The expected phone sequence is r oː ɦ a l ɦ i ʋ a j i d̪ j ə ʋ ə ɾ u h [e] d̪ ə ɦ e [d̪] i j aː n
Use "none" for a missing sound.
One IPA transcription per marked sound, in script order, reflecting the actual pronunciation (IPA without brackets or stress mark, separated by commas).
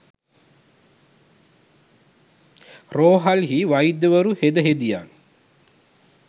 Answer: e, d̪